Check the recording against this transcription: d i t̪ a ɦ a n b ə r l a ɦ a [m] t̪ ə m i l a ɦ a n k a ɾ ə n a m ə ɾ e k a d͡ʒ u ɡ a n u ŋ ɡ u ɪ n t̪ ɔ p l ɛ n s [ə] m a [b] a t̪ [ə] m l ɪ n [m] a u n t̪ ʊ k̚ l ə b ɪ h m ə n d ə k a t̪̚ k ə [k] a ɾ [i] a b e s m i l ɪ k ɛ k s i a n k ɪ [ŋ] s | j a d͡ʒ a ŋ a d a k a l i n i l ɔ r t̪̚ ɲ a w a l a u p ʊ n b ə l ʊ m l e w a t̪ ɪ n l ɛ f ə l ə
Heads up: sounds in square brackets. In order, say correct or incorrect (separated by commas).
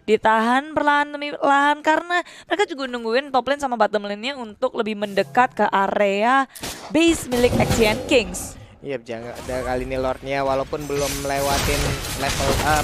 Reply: incorrect, incorrect, correct, correct, incorrect, incorrect, incorrect, correct